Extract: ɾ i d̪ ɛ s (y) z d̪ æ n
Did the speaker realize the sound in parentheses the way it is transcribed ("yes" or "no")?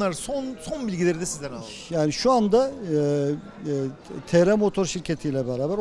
no